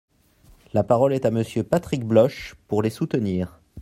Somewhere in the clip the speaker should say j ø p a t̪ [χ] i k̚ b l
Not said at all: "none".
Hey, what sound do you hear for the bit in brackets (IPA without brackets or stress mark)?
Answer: χ